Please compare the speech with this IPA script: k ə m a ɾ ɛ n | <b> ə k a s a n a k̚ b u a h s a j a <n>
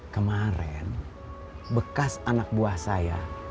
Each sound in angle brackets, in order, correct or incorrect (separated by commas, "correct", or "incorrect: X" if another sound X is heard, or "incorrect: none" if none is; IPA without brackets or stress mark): correct, incorrect: none